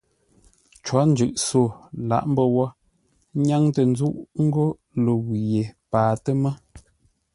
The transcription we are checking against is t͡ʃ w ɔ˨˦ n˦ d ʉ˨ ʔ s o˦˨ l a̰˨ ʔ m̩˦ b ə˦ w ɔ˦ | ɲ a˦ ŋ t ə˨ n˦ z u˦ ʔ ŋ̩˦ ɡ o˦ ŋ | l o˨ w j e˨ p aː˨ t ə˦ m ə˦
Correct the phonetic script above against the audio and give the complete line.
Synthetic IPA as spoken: t͡ʃ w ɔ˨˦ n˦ d͡ʒ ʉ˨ ʔ s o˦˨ l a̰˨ ʔ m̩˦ b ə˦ w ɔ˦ | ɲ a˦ ŋ t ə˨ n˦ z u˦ ʔ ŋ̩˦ ɡ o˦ | l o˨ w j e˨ p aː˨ t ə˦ m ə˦